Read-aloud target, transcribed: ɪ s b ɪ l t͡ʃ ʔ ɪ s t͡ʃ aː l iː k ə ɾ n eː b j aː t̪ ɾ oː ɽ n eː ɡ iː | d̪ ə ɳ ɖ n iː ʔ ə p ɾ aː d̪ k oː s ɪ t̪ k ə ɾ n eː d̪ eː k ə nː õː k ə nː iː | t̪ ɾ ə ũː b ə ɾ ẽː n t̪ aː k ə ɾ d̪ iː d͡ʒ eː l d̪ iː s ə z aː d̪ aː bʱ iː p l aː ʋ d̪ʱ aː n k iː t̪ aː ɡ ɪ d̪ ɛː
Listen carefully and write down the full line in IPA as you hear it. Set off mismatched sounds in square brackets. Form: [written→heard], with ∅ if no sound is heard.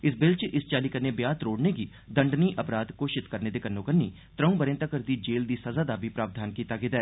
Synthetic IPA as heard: ɪ s b ɪ l t͡ʃ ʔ ɪ s t͡ʃ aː l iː k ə ɾ n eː b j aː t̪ ɾ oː ɽ n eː ɡ iː | d̪ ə ɳ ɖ n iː ʔ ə p ɾ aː d̪ k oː [s→ʃ] ɪ t̪ k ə ɾ n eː d̪ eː k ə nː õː k ə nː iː | t̪ ɾ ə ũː b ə ɾ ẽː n t̪ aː k ə ɾ d̪ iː d͡ʒ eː l d̪ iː s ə z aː d̪ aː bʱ iː p [l→ɾ] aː ʋ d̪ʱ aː n k iː t̪ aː ɡ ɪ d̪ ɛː